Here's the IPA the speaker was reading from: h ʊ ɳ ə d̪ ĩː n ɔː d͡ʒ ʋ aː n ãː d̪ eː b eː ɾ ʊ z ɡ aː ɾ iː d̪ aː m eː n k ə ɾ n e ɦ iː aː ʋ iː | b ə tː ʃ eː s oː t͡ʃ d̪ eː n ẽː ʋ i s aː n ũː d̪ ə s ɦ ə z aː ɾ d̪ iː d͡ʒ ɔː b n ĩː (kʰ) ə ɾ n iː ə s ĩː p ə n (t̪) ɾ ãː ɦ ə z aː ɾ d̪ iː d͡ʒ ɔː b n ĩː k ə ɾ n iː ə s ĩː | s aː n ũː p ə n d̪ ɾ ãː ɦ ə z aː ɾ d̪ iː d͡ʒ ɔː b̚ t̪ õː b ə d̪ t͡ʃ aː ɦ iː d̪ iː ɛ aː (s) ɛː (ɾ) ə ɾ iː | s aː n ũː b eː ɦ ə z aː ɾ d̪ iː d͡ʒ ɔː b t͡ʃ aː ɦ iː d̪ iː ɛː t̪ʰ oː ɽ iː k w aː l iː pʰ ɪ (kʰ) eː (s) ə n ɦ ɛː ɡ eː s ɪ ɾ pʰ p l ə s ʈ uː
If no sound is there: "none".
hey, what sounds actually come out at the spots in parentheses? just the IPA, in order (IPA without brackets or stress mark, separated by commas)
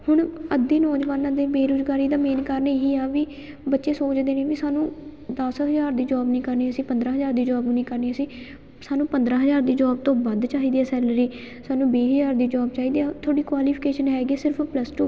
k, d̪, s, l, k, ʃ